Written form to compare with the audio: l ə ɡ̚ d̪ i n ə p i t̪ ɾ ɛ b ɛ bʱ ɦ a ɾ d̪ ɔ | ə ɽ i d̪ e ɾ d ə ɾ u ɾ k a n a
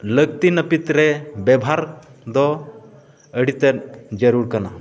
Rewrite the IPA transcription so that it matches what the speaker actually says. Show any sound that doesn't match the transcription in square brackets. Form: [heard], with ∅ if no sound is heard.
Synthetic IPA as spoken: l ə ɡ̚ [t̪] i n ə p i t̪ ɾ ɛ b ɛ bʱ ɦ a ɾ d̪ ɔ | ə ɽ i [t̪] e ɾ [d͡ʒ] ə ɾ u ɾ k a n a